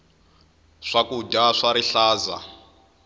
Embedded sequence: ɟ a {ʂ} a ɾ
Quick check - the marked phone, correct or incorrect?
correct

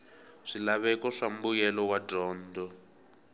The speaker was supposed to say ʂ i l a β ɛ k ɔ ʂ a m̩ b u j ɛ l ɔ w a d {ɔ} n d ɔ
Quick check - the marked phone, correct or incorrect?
incorrect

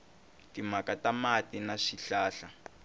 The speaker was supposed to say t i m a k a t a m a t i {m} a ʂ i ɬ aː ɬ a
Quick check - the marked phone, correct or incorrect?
incorrect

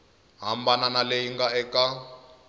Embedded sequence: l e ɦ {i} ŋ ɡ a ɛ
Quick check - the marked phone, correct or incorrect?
correct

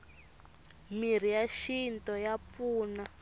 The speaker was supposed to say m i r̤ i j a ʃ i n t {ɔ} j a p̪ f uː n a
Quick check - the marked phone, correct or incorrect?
correct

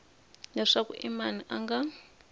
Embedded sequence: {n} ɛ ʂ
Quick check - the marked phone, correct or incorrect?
correct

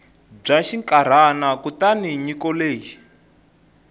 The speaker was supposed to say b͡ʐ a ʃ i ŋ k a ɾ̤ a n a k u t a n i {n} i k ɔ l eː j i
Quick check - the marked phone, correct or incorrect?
incorrect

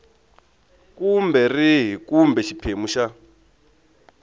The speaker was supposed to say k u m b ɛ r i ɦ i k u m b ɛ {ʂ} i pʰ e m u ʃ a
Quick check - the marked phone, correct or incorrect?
incorrect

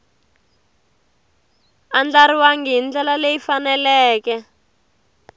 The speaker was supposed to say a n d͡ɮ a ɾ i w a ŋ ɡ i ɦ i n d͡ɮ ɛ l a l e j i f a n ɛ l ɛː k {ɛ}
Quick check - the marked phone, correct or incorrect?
correct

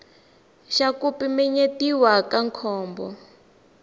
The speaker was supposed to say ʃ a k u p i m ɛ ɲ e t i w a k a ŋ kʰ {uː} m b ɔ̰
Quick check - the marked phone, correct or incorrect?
incorrect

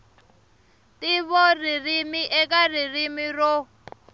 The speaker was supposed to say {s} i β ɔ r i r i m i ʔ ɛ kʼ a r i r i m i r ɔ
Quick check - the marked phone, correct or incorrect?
incorrect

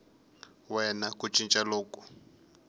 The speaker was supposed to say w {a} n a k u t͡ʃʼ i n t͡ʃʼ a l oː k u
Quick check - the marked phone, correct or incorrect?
incorrect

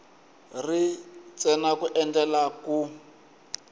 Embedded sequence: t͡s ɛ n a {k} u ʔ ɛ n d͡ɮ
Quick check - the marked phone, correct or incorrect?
correct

